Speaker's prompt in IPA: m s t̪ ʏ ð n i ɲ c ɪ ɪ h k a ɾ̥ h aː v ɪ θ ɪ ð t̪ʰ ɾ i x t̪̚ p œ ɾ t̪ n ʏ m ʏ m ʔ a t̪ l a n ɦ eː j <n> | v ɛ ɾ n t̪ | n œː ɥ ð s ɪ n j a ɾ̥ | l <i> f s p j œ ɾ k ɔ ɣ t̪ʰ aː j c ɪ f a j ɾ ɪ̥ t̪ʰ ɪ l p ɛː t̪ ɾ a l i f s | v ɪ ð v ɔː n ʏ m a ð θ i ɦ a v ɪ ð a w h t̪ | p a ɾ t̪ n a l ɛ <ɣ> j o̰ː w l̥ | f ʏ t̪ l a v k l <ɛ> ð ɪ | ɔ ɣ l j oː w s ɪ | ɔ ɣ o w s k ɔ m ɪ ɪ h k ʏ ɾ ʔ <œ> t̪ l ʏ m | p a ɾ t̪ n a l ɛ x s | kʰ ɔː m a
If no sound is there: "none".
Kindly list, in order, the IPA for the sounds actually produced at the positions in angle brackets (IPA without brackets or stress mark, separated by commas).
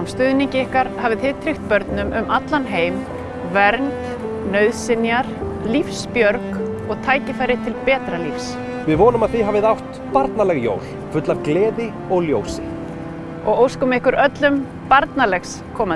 m, i, ɣ, ɛː, œ